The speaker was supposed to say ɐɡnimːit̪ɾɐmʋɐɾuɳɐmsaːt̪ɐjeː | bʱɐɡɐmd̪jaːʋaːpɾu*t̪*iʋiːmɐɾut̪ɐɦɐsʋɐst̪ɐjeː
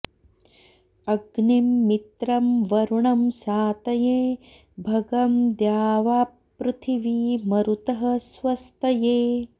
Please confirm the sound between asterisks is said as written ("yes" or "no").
no